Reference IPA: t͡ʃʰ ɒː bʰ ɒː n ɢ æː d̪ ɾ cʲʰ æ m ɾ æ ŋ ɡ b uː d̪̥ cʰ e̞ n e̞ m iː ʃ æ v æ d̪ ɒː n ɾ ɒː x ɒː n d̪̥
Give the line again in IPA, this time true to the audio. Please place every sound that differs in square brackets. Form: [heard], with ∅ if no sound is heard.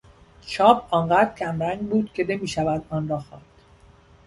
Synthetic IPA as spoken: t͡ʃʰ ɒː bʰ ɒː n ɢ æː d̪ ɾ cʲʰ æ m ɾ æ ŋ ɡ b uː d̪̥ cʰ e̞ n e̞ m iː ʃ æ v æ d̪ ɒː n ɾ ɒː x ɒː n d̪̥